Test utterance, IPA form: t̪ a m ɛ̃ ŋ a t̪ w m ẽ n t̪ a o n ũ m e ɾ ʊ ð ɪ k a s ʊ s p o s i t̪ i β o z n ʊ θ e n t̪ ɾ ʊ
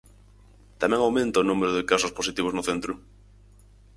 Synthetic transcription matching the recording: t̪ a m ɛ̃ ŋ a w m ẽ n t̪ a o n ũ m e ɾ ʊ ð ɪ k a s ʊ s p o s i t̪ i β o z n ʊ θ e n t̪ ɾ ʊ